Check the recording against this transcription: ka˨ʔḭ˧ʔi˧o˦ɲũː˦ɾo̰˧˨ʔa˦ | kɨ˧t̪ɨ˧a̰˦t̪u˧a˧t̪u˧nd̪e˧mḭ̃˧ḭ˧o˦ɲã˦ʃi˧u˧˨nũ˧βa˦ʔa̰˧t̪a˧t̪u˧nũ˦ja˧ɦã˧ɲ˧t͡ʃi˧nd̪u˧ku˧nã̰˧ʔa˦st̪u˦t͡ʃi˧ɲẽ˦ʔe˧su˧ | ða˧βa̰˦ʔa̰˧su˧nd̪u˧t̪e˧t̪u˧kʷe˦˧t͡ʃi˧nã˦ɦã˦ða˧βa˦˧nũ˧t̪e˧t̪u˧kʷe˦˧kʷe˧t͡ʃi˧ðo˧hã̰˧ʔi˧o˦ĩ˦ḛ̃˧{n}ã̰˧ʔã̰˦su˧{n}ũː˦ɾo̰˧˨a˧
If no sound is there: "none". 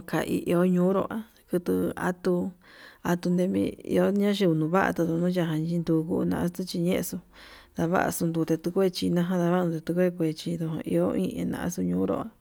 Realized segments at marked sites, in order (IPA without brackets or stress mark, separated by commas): n, ɲ